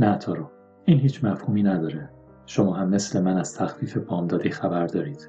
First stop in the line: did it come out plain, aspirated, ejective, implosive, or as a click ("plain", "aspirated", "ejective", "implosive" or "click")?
aspirated